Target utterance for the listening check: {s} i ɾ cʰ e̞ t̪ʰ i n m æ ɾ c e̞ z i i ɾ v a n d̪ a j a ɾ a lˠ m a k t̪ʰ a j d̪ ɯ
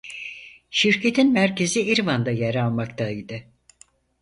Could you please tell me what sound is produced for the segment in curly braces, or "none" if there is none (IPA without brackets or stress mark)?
ʃ